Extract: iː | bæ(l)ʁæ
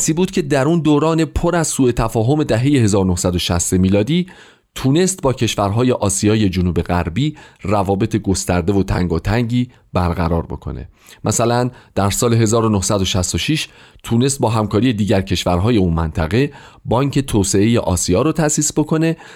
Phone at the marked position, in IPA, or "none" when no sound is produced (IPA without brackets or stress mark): ɾ